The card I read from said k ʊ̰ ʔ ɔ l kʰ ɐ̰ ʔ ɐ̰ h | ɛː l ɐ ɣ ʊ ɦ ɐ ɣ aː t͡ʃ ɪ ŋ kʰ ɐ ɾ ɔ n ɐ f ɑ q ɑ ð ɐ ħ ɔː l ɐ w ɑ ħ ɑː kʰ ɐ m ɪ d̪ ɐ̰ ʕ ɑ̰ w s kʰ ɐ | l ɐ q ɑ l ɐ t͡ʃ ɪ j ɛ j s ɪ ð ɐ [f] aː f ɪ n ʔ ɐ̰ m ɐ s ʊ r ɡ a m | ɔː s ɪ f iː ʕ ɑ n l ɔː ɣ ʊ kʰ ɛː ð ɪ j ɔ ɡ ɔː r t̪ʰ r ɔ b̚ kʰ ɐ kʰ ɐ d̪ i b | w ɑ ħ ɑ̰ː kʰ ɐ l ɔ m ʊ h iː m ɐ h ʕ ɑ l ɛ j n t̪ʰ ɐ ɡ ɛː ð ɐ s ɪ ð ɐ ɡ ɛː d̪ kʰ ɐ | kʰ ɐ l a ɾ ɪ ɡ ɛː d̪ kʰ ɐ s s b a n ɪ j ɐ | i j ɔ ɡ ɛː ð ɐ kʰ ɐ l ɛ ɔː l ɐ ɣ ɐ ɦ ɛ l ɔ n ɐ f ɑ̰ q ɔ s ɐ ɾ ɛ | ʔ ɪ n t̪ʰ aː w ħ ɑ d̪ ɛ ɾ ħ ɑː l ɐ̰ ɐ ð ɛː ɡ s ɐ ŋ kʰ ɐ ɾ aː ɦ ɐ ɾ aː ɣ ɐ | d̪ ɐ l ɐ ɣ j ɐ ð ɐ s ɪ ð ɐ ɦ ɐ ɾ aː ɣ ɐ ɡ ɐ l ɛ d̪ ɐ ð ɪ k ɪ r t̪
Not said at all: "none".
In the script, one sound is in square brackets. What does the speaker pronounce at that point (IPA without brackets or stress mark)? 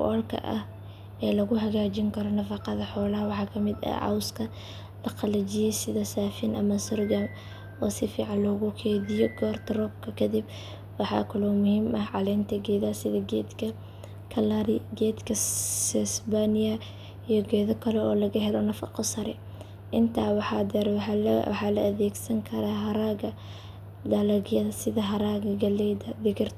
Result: s